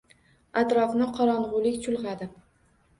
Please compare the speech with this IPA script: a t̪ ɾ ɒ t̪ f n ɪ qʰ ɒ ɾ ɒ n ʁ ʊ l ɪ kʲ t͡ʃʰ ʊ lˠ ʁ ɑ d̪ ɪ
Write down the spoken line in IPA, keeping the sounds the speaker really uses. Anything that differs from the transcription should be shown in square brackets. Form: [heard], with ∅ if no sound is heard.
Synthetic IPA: a t̪ ɾ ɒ [∅] f n ɪ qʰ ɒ ɾ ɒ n ʁ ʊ l ɪ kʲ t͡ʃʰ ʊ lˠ ʁ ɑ d̪ ɪ